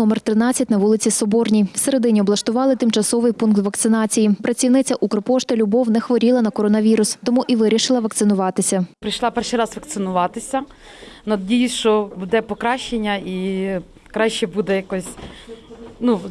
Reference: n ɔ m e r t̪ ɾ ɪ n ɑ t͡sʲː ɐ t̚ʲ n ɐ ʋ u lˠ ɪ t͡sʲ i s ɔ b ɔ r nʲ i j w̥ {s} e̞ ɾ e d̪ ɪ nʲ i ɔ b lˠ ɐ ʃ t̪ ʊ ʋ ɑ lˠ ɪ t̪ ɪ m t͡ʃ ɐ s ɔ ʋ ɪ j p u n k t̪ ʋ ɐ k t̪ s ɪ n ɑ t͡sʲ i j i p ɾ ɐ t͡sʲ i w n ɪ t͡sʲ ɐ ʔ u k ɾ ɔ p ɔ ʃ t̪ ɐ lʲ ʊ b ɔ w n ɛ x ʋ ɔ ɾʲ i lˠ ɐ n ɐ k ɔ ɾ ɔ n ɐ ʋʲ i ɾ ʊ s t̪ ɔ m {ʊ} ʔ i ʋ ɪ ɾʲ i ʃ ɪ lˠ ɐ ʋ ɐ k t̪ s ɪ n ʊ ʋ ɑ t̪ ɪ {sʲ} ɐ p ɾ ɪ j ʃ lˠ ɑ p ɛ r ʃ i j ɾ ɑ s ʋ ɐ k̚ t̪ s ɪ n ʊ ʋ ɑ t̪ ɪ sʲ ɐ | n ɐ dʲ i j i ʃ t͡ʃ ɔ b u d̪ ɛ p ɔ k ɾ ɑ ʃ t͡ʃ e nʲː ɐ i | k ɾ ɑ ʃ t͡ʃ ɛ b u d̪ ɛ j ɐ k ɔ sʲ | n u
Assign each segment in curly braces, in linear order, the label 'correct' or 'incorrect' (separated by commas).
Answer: correct, incorrect, correct